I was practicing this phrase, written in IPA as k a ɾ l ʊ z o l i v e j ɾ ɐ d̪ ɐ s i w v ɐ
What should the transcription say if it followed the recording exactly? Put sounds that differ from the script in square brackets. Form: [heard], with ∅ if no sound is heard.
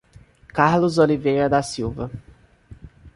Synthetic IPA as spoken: k a ɾ l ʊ z o l i v e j ɾ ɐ d̪ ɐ s i w v ɐ